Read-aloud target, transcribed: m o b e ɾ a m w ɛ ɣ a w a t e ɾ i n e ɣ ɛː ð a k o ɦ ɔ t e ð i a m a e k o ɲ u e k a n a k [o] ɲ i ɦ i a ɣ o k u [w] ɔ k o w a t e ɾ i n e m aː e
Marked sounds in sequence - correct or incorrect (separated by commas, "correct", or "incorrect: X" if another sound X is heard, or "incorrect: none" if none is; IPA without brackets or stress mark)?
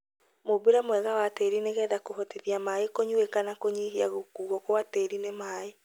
correct, incorrect: ɣ